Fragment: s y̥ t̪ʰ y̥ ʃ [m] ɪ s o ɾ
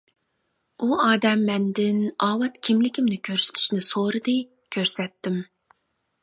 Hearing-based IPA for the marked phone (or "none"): n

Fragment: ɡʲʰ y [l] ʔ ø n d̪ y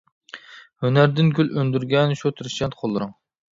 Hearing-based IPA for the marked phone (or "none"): l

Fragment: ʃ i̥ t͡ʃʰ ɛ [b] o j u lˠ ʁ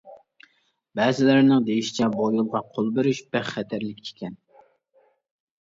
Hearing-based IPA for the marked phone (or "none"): b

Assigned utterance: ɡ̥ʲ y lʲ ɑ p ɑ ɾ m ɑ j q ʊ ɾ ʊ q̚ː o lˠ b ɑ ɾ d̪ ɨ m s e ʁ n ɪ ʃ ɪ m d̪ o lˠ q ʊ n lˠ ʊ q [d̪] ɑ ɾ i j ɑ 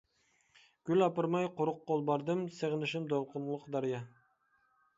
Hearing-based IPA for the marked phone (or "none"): d̪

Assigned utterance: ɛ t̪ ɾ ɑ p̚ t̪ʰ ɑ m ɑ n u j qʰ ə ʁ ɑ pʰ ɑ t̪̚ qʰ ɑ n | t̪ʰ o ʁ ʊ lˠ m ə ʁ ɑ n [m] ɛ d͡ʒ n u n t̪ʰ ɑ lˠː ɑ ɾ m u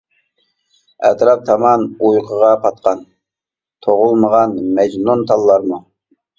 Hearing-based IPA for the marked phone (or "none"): m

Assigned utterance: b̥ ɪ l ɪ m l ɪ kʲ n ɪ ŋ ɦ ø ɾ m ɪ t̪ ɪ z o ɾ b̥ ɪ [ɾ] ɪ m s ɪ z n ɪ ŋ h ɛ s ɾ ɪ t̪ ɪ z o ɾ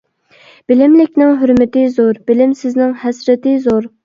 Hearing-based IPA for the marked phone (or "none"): l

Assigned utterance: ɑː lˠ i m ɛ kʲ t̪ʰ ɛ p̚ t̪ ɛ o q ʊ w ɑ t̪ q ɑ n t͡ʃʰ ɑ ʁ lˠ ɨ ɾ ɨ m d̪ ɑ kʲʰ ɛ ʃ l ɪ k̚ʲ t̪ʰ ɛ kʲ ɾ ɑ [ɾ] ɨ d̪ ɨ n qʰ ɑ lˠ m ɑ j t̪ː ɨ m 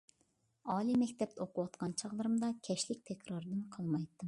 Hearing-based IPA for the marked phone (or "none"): ɾ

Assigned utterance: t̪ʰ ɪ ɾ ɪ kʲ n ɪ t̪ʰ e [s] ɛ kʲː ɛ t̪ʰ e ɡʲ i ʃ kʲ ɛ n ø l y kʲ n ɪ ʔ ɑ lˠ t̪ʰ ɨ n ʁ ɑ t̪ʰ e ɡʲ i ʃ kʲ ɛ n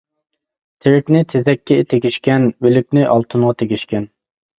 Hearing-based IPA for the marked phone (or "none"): z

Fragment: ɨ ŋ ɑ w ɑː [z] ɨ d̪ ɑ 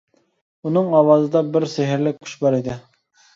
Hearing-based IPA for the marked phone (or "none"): z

